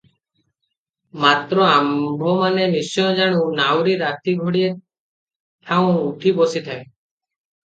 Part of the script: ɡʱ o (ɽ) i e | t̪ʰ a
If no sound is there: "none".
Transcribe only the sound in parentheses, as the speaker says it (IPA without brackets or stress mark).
ɽ